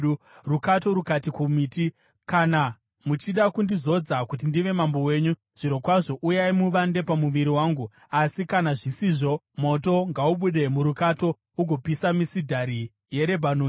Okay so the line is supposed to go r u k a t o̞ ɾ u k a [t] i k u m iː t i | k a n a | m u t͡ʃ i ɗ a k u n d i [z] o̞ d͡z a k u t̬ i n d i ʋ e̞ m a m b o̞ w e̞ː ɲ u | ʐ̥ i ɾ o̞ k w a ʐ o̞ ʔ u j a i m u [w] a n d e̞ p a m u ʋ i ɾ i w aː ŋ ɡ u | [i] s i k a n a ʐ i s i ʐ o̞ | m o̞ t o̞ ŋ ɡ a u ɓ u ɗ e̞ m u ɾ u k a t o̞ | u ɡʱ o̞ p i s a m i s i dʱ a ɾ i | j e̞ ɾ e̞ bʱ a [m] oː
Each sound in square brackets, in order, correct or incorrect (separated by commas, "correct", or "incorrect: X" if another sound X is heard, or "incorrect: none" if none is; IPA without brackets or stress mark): correct, correct, incorrect: ʋ, incorrect: a, incorrect: n